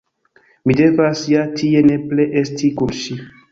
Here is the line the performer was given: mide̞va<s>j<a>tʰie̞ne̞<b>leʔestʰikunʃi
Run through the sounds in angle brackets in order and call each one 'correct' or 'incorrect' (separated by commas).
correct, correct, incorrect